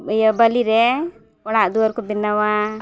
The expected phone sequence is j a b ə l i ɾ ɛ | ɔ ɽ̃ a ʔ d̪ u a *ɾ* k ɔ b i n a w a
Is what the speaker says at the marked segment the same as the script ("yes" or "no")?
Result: yes